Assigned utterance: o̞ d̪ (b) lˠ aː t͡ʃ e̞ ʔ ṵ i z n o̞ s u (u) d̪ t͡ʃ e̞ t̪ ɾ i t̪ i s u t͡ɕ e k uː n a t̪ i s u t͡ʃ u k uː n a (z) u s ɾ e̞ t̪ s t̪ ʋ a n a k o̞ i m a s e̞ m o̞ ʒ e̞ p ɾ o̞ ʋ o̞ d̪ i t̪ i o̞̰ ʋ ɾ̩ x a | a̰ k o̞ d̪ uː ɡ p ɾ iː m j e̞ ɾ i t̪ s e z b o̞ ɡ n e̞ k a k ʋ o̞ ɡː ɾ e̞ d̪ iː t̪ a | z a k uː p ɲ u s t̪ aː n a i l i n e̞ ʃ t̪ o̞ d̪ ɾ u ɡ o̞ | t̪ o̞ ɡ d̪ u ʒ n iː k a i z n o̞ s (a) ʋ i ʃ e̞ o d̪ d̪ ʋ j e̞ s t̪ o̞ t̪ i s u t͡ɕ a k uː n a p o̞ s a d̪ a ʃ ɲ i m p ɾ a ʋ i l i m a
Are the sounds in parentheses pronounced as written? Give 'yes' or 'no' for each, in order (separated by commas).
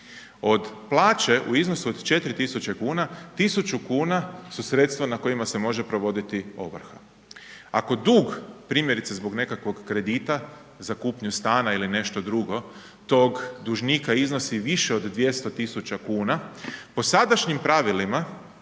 no, no, no, no